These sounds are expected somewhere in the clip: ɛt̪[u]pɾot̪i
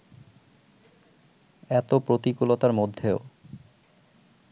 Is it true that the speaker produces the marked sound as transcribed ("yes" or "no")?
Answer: no